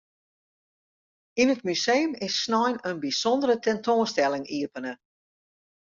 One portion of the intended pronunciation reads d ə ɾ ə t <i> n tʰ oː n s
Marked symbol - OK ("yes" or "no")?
no